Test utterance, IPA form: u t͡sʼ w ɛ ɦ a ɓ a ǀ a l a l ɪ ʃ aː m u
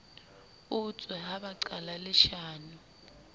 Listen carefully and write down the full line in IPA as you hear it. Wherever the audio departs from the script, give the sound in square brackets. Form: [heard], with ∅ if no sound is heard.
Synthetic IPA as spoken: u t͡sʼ w ɛ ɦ a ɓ a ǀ a l a l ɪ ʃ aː [n] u